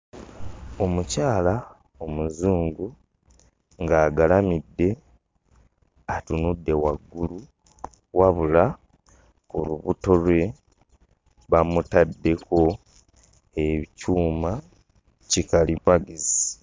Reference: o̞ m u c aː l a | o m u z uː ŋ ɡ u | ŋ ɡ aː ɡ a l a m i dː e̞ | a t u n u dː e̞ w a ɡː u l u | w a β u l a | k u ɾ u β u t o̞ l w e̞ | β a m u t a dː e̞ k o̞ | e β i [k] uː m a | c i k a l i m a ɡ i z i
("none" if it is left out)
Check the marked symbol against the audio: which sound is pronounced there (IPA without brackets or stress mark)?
c